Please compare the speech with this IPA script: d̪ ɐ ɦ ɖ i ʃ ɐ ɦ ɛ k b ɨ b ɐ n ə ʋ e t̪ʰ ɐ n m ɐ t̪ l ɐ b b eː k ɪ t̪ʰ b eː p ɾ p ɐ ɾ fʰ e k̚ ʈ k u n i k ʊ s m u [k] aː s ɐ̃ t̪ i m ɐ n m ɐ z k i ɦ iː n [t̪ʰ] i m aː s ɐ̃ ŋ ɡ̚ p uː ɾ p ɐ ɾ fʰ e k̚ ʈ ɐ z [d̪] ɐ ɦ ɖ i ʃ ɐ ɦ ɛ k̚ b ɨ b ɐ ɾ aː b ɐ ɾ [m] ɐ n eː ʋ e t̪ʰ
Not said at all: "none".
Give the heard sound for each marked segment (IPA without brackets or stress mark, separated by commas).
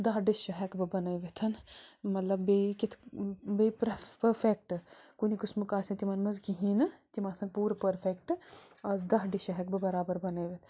k, t̪, d̪, b